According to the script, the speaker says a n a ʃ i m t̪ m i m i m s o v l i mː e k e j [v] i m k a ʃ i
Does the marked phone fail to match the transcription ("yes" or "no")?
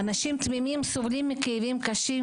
no